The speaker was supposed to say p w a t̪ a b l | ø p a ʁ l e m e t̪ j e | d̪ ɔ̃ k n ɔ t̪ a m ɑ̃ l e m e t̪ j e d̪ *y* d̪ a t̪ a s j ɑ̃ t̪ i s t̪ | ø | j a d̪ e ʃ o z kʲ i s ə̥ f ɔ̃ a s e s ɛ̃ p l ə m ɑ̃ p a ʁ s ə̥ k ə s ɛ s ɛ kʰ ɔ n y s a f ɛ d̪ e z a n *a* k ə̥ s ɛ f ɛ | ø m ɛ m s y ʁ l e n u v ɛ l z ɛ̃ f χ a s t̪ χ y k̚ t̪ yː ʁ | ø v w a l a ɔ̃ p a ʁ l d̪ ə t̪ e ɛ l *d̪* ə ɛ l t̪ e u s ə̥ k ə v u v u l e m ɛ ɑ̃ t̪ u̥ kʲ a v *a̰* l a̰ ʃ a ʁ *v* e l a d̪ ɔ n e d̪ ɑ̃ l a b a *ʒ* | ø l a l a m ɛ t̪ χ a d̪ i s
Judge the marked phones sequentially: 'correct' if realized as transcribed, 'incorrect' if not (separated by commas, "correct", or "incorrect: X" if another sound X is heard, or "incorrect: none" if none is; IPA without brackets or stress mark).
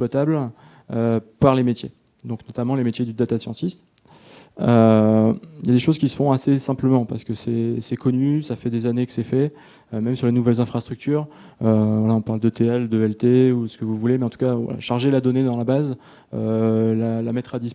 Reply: correct, incorrect: e, correct, correct, incorrect: ʒ, incorrect: z